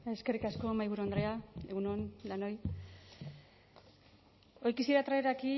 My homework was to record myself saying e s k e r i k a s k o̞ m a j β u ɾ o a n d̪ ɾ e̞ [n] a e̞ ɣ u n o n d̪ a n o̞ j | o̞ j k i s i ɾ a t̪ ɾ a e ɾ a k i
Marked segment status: incorrect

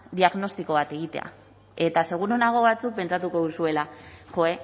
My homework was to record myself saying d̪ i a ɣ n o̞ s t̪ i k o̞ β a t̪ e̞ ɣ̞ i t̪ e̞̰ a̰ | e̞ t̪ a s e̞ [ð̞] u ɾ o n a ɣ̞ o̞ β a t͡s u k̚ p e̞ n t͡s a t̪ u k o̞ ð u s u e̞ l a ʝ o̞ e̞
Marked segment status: incorrect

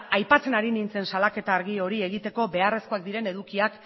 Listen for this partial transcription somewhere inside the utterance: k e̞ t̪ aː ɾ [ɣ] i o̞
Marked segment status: correct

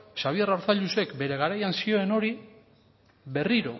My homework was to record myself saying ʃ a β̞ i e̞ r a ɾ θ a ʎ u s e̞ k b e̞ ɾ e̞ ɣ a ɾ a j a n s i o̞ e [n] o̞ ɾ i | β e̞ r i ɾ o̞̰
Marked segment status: correct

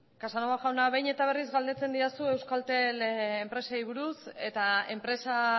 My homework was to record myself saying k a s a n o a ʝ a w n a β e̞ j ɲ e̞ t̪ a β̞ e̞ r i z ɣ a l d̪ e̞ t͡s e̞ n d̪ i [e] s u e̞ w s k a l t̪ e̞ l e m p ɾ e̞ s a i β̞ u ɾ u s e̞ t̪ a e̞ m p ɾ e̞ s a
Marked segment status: incorrect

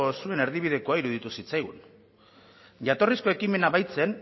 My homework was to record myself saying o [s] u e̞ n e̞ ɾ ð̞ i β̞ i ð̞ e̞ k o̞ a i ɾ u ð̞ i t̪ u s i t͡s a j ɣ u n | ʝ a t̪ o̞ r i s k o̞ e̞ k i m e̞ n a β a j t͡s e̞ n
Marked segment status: correct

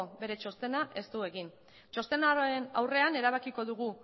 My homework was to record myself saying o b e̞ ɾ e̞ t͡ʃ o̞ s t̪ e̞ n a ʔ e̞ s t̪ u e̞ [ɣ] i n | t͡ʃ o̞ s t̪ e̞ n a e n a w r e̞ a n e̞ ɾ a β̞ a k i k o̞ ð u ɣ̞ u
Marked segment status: correct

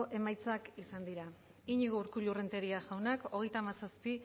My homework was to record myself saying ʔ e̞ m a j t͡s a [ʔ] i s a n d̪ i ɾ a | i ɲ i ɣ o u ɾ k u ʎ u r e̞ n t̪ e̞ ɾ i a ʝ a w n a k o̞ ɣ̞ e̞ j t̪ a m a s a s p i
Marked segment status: incorrect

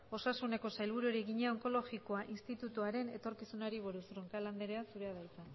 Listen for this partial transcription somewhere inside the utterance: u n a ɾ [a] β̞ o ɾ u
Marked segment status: incorrect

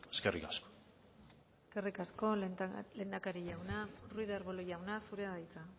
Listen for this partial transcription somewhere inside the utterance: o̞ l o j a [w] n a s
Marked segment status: correct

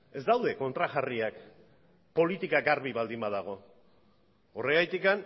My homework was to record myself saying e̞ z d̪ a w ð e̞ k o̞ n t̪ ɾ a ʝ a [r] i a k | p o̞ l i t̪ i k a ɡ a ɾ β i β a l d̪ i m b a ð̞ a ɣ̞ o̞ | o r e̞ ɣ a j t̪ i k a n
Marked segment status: correct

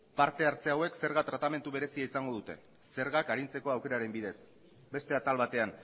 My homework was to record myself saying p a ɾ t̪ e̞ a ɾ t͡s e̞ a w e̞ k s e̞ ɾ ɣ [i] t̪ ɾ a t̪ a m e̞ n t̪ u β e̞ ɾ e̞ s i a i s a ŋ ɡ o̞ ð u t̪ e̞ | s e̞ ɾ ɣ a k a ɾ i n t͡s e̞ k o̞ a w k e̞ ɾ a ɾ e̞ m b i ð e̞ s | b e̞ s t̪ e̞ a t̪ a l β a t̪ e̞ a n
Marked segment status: incorrect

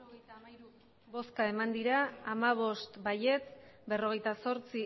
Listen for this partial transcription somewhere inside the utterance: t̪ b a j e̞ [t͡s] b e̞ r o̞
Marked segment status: correct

